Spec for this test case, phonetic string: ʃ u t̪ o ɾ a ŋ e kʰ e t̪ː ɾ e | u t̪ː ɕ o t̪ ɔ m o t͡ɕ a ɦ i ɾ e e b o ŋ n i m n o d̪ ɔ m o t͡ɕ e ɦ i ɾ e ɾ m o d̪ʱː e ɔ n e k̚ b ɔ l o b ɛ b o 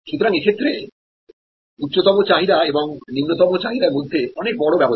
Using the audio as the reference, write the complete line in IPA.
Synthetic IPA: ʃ u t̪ o ɾ a ŋ e kʰ e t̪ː ɾ e | u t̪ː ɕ o t̪ ɔ m o t͡ɕ a ɦ i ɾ a e b o ŋ n i m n o t̪ ɔ m o t͡ɕ a ɦ i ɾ a ɾ m o d̪ʱː e ɔ n e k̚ b ɔ ɽ o b ɛ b o